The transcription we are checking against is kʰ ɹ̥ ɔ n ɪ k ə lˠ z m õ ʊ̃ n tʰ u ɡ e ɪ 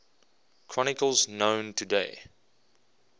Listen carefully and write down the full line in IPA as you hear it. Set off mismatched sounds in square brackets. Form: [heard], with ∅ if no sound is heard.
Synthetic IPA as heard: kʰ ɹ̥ ɔ n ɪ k ə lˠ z [n] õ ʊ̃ n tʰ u [d] e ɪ